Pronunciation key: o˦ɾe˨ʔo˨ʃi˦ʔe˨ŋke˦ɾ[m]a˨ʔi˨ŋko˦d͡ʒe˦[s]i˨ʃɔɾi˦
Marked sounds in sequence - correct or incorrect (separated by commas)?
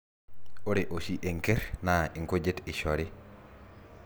incorrect, incorrect